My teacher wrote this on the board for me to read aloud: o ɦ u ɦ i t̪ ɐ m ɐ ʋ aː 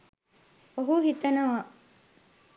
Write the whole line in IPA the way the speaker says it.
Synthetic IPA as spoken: o ɦ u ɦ i t̪ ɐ n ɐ ʋ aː